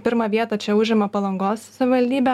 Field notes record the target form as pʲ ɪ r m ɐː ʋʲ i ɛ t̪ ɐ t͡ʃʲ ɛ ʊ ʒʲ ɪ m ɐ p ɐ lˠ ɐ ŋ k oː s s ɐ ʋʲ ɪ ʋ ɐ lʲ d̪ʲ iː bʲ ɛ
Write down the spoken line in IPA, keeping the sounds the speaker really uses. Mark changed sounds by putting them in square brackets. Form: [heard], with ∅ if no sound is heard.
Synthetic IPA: pʲ ɪ [ɾ] m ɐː ʋʲ i ɛ t̪ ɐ t͡ʃʲ ɛ ʊ ʒʲ ɪ m ɐ p ɐ lˠ ɐ ŋ [ɡ] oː s s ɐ ʋʲ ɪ ʋ ɐ lʲ d̪ʲ iː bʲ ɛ